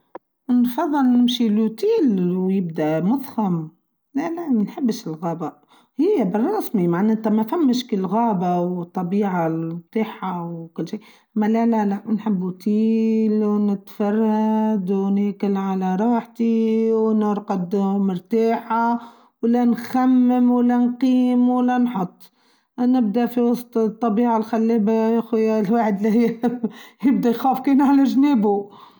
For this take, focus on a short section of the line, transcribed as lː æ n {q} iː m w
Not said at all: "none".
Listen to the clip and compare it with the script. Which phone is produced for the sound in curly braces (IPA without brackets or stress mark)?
q